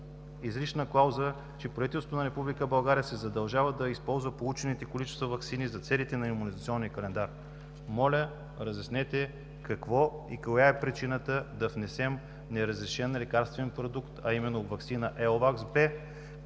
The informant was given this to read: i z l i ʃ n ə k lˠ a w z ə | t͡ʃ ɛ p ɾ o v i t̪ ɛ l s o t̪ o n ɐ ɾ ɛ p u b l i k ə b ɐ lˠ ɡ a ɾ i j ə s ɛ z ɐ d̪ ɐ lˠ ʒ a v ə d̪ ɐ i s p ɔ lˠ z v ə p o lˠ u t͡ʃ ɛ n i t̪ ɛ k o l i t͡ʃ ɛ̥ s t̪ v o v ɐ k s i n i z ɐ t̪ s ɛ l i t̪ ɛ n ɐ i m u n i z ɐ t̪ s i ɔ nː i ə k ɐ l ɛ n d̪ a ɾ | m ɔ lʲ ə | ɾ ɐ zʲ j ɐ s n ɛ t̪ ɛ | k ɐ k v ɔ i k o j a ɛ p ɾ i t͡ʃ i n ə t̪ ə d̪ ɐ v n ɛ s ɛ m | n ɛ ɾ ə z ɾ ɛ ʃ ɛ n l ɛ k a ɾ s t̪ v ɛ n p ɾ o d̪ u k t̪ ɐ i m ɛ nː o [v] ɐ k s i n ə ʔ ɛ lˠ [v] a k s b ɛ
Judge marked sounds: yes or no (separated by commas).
yes, yes